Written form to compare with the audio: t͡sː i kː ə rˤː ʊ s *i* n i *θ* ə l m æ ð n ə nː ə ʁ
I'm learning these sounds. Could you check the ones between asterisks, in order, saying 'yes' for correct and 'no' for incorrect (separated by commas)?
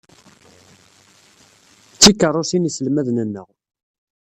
yes, no